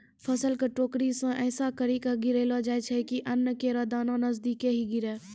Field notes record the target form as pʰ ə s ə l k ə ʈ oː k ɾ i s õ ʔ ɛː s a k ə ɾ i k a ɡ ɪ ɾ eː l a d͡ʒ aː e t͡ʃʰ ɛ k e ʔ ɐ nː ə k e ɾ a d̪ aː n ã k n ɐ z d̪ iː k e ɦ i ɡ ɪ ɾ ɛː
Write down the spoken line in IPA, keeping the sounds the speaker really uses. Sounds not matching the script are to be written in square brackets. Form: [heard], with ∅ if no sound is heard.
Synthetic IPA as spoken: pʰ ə s ə l k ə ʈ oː k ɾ i s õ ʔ ɛː s a k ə ɾ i k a ɡ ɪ ɾ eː l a d͡ʒ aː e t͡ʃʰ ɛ k [i] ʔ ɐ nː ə k e ɾ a d̪ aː n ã [∅] n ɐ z d̪ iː k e ɦ i ɡ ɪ ɾ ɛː